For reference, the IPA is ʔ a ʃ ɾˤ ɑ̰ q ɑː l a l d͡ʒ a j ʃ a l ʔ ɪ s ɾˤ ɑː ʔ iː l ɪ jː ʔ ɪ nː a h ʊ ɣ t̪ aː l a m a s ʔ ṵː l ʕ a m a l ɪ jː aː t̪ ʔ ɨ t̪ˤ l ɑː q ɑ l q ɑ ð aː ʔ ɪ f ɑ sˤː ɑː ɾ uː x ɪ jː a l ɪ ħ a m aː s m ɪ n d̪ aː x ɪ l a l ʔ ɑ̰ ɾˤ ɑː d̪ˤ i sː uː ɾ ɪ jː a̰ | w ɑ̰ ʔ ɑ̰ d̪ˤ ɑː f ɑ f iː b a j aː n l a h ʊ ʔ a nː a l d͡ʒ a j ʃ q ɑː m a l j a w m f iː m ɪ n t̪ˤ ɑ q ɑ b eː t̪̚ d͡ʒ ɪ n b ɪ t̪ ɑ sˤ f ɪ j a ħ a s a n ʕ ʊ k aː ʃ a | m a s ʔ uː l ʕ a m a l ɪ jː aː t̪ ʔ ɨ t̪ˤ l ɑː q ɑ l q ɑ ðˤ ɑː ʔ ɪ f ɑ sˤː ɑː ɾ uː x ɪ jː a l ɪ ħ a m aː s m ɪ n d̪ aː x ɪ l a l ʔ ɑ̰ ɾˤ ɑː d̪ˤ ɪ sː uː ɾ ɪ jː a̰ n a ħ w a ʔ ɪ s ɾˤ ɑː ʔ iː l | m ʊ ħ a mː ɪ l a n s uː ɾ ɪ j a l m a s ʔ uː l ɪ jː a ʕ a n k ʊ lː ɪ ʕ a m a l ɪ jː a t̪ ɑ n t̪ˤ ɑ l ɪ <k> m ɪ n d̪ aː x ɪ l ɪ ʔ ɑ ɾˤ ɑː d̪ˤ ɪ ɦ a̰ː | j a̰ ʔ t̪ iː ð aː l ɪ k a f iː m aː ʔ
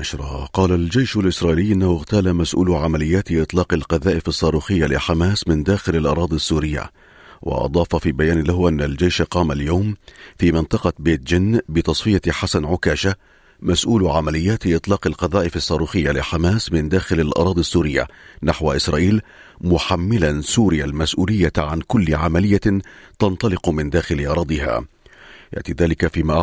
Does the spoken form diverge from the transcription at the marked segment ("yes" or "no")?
yes